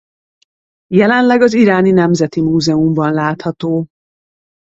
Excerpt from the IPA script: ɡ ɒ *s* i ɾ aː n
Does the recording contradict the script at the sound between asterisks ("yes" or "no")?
yes